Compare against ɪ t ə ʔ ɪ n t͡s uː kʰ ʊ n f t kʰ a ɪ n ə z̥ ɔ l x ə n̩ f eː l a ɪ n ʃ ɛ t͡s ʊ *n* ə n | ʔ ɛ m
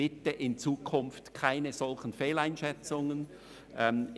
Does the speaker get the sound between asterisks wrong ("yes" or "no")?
yes